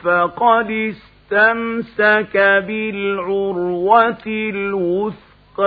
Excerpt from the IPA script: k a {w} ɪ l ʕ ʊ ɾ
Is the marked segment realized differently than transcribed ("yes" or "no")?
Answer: yes